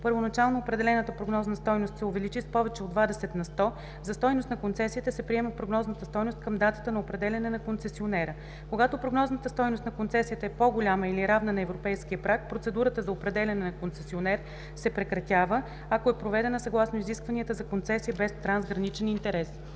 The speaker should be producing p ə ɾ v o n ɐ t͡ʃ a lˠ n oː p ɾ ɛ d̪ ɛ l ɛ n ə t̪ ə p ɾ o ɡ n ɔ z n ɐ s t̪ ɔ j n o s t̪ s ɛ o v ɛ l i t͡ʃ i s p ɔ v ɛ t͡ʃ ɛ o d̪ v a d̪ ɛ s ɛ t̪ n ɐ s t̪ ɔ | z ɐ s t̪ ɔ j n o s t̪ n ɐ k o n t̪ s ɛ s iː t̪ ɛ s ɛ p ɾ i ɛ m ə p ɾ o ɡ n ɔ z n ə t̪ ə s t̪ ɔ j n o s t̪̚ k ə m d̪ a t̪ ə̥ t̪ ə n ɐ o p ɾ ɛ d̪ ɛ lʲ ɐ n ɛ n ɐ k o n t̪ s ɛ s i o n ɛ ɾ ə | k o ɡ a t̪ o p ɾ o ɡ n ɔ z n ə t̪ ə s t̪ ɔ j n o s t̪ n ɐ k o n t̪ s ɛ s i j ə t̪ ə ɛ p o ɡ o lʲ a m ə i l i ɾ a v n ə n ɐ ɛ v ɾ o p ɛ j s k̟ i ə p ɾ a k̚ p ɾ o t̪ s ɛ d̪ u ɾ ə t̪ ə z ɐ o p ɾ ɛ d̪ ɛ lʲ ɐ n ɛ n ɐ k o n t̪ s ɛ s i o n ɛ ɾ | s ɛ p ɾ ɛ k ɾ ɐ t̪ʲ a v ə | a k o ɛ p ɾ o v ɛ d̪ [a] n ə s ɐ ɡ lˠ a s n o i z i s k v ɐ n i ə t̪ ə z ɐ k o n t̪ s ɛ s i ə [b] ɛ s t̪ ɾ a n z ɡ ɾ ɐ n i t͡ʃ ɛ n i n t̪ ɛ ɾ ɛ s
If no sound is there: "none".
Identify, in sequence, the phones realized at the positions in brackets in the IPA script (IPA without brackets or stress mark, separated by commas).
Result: ɛ, b